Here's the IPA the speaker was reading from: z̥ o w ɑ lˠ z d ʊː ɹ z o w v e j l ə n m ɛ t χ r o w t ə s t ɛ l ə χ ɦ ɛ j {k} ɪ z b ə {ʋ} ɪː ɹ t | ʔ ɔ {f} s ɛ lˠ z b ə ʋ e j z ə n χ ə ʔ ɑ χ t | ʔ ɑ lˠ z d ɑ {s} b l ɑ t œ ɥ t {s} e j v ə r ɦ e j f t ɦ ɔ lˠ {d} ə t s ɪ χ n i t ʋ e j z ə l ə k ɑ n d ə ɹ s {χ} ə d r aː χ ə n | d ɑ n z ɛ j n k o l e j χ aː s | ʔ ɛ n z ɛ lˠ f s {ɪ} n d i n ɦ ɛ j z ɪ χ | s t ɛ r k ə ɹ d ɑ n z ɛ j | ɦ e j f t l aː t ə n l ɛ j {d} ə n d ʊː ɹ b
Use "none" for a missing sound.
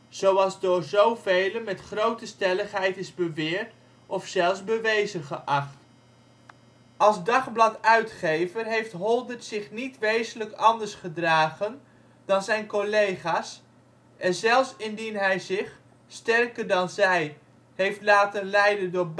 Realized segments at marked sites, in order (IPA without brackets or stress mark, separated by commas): t, ʋ, f, χ, χ, d, χ, ɪ, d